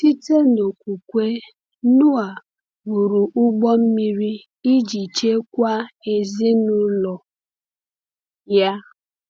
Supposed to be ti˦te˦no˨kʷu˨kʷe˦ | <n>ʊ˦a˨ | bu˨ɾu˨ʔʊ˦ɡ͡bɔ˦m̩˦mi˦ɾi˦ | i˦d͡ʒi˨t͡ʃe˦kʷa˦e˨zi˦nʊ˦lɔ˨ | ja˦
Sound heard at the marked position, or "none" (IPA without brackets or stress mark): n